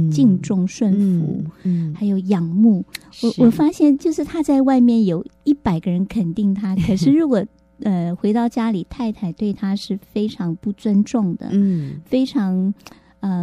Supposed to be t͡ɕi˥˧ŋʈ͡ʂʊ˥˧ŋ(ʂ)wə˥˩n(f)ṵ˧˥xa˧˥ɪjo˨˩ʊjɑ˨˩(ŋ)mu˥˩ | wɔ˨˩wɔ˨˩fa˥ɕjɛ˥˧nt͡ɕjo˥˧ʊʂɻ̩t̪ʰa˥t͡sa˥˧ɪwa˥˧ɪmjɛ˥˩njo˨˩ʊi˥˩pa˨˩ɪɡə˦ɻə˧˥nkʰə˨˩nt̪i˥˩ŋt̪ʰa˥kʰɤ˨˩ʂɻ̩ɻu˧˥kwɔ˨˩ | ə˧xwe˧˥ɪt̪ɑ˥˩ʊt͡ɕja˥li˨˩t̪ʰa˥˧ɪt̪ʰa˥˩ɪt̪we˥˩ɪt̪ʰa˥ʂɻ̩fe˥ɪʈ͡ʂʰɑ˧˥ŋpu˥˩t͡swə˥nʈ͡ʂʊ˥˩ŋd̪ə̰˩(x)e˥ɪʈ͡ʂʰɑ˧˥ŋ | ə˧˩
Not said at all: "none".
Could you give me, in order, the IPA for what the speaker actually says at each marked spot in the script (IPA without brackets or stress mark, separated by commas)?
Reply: ʂ, f, ŋ, f